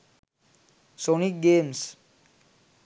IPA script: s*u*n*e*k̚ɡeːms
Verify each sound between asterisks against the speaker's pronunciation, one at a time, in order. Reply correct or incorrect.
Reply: incorrect, incorrect

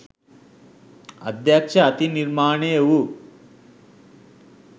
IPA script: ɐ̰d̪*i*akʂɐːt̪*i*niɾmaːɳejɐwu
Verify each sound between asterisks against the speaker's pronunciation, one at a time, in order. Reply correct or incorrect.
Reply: incorrect, correct

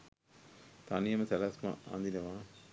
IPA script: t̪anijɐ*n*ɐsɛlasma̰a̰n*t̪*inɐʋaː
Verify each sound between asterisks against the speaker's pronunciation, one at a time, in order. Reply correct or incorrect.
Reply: incorrect, incorrect

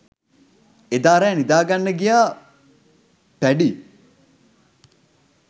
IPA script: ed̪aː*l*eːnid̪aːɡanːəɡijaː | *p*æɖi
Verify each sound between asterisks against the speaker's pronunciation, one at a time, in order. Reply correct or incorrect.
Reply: incorrect, correct

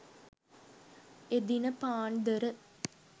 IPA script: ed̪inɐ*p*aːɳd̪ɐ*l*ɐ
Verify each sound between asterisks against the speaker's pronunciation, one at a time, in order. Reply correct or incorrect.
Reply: correct, incorrect

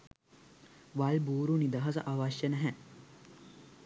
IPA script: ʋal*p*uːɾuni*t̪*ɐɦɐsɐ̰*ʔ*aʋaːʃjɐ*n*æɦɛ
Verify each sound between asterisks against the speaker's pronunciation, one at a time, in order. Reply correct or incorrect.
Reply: incorrect, incorrect, correct, correct

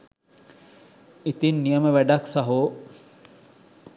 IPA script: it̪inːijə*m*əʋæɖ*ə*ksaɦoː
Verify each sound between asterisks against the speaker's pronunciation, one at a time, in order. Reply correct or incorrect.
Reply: correct, incorrect

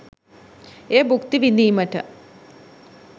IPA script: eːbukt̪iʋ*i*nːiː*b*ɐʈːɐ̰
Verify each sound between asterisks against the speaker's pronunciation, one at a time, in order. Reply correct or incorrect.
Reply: correct, incorrect

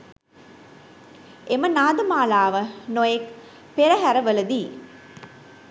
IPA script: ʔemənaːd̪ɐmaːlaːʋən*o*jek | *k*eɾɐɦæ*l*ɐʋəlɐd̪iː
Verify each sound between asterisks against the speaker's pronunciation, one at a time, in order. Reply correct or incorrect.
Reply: correct, incorrect, incorrect

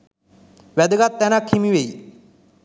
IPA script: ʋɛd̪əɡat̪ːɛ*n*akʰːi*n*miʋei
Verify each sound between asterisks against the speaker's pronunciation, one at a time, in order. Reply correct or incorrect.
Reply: correct, incorrect

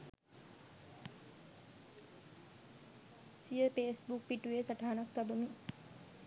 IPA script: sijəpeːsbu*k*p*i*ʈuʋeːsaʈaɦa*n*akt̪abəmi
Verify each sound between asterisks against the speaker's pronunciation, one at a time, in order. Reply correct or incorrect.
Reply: correct, correct, correct

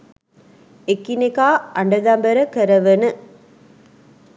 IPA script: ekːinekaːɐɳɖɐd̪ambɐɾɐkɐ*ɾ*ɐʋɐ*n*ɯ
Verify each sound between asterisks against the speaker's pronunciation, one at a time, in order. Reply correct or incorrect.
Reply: correct, correct

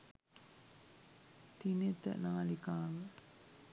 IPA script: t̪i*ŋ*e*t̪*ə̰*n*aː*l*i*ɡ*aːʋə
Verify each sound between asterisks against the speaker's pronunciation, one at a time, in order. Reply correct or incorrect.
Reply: incorrect, correct, correct, correct, incorrect

